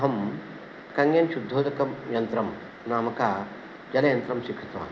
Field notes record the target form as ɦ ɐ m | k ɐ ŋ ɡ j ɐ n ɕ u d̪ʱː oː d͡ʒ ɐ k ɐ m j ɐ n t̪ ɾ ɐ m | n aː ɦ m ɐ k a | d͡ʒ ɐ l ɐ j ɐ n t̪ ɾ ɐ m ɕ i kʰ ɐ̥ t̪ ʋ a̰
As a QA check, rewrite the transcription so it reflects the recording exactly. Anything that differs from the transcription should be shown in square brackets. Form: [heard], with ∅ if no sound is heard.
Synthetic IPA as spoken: ɦ ɐ m | k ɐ ŋ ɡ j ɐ n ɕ u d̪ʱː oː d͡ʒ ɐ k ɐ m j ɐ n t̪ ɾ ɐ m | n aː [∅] m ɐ k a | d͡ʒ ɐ l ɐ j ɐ n t̪ ɾ ɐ m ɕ i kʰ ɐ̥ t̪ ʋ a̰

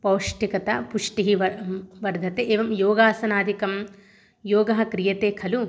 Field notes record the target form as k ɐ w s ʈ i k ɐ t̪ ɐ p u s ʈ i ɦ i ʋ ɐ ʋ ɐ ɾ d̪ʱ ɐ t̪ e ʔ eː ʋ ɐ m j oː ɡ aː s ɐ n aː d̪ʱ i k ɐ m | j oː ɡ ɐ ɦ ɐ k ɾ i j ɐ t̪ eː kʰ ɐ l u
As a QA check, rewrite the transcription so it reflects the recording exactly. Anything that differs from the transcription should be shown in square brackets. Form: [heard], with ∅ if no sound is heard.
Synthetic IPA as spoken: [p] ɐ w [ʂ] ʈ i k ɐ t̪ ɐ p u [ʂ] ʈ i ɦ i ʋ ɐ ʋ ɐ ɾ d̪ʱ ɐ t̪ e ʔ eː ʋ ɐ m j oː ɡ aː s ɐ n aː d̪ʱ i k ɐ m | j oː ɡ ɐ ɦ ɐ k ɾ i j ɐ t̪ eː kʰ ɐ l u

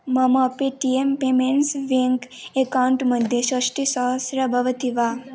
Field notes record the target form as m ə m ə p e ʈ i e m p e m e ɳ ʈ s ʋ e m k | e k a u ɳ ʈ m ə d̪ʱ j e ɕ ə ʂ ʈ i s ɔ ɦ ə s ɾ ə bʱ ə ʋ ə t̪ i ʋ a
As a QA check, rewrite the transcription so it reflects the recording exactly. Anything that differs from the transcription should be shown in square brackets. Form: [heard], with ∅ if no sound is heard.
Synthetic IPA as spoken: m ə m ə p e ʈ i e m p e m e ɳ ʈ s ʋ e [ŋ] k | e k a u ɳ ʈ m ə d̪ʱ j e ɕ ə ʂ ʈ i s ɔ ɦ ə s ɾ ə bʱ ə ʋ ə t̪ i ʋ a

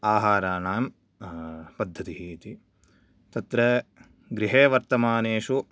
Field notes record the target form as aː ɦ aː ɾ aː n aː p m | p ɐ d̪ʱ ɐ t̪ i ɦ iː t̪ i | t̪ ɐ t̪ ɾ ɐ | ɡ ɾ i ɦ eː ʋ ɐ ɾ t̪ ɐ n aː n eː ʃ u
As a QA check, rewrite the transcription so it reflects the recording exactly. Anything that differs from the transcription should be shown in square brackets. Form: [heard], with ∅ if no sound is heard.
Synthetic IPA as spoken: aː ɦ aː ɾ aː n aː [∅] m | p ɐ [d̪ʱː] ɐ t̪ i ɦ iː t̪ i | t̪ ɐ t̪ ɾ ɐ | ɡ ɾ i ɦ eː ʋ ɐ ɾ t̪ ɐ [m] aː n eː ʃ u

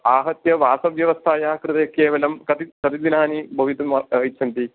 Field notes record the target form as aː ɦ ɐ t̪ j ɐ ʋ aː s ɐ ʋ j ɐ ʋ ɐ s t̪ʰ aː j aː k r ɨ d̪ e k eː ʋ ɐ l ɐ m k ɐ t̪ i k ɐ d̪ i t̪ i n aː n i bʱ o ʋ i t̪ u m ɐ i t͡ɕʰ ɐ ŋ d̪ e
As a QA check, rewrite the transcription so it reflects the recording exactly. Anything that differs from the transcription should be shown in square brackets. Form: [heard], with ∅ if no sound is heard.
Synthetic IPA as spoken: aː ɦ ɐ t̪ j ɐ ʋ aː s ɐ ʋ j ɐ ʋ ɐ s t̪ʰ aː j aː k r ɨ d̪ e k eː ʋ ɐ l ɐ m k ɐ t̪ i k ɐ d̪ i [d̪] i n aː n i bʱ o ʋ i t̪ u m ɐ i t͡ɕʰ ɐ [n] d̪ [i]

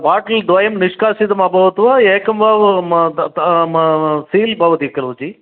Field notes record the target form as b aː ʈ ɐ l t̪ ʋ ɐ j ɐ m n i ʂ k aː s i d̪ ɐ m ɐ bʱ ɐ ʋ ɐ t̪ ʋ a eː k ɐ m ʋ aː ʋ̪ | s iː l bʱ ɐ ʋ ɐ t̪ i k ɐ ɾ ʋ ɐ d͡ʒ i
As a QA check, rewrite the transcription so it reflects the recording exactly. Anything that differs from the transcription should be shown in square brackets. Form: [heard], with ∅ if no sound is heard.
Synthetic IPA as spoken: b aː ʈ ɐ l [d̪] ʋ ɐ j ɐ m n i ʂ k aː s i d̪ ɐ m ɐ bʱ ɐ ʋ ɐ t̪ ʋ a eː k ɐ m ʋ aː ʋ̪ | s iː l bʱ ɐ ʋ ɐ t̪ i k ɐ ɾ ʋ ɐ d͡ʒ i

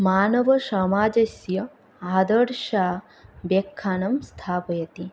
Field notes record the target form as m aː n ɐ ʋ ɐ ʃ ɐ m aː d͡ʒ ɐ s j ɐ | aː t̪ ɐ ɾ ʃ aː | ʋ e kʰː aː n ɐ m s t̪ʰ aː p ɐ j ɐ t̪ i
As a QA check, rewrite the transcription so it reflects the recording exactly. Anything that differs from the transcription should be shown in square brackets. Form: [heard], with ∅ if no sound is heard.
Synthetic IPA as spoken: m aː n ɐ ʋ ɐ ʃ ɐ m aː d͡ʒ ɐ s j ɐ | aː [d̪] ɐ ɾ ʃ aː | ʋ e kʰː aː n ɐ m s t̪ʰ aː p ɐ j ɐ t̪ i

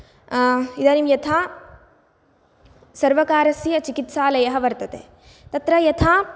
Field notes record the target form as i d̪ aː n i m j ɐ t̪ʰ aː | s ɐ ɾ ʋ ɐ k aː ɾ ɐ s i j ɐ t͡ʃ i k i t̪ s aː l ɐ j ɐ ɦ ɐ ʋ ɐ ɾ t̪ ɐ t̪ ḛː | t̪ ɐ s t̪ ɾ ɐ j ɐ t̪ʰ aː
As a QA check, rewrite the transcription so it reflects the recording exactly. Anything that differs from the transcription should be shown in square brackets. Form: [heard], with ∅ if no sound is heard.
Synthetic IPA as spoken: i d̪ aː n i m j ɐ t̪ʰ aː | s ɐ ɾ ʋ ɐ k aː ɾ ɐ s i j ɐ t͡ʃ i k i t̪ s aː l ɐ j ɐ ɦ ɐ ʋ ɐ ɾ t̪ ɐ t̪ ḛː | t̪ ɐ [∅] t̪ ɾ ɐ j ɐ t̪ʰ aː

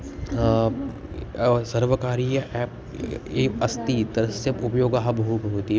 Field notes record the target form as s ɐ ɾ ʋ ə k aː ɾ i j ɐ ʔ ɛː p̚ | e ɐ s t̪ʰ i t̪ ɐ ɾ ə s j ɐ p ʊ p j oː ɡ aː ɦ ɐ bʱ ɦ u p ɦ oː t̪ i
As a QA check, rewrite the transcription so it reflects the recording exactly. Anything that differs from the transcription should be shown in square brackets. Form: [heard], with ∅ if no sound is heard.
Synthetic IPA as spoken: s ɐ ɾ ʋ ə k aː ɾ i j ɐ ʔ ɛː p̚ | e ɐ s [t̪] i t̪ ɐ ɾ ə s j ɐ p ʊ p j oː ɡ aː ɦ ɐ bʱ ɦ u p ɦ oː t̪ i

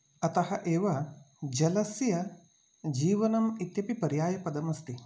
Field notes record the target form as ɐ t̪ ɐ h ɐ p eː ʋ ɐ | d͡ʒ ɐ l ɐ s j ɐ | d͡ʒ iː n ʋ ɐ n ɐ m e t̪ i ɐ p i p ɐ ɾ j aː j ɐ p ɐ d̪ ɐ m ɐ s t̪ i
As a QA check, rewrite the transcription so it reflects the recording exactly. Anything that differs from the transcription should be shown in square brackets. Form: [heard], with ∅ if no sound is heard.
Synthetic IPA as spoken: ɐ t̪ ɐ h ɐ [ʔ] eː ʋ ɐ | d͡ʒ ɐ l ɐ s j ɐ | d͡ʒ iː [∅] ʋ ɐ n ɐ m [i] t̪ [j] ɐ p i p ɐ ɾ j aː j ɐ p ɐ d̪ ɐ m ɐ s t̪ i

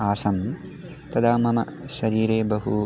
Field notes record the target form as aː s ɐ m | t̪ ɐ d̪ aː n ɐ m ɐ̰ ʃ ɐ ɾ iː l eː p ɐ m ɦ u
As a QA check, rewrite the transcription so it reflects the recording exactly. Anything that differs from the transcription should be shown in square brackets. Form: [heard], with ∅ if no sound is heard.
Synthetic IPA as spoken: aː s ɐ m | t̪ ɐ d̪ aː [m] ɐ m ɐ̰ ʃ ɐ ɾ iː [ɾ] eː [b] ɐ [∅] ɦ u

